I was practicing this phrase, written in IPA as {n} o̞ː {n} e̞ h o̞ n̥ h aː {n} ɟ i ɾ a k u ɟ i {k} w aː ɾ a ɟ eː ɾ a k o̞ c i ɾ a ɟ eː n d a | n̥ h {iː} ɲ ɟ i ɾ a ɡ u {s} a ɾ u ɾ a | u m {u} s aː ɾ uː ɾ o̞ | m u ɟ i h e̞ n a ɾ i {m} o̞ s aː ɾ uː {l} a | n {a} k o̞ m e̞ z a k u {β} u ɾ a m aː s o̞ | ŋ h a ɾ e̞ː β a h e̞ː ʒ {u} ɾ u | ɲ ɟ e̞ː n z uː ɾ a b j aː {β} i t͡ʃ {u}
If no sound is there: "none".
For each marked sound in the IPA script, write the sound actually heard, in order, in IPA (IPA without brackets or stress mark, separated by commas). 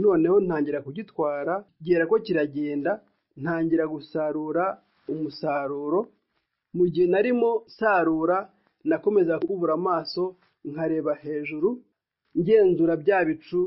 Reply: n, n, ɲ, t, aː, s, u, m, ɾ, a, β, u, β, u